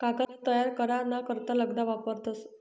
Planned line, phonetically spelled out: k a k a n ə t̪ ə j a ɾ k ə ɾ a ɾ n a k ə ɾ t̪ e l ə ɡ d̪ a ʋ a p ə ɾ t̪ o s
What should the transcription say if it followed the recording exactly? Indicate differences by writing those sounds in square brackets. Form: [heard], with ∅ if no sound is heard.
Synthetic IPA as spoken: k a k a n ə t̪ ə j a ɾ k ə ɾ a ɾ n a k ə ɾ t̪ [a] l ə ɡ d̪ a ʋ a p ə ɾ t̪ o s